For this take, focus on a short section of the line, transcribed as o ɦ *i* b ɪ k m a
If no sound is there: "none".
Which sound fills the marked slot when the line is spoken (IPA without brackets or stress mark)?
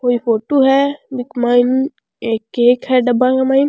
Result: ɛ